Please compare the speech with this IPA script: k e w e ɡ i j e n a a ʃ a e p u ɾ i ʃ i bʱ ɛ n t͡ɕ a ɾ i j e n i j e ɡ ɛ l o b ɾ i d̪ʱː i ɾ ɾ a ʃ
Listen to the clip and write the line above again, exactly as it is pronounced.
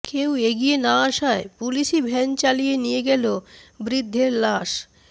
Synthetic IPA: k e w e ɡ i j e n a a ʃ a e p u l i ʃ i bʱ ɛ n t͡ɕ a l i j e n i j e ɡ ɛ l o b ɾ i d̪ʱː e ɾ l a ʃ